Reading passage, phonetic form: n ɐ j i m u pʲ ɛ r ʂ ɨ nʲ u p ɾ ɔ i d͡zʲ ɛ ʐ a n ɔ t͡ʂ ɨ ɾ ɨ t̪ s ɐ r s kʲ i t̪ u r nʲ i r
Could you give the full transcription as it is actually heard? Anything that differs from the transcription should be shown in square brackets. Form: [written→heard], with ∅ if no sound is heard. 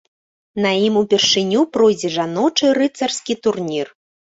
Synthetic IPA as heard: n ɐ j i m u pʲ ɛ r ʂ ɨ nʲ u p ɾ ɔ [i→j] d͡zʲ ɛ ʐ a n ɔ t͡ʂ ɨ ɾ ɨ t̪ s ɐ r s kʲ i t̪ u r nʲ i r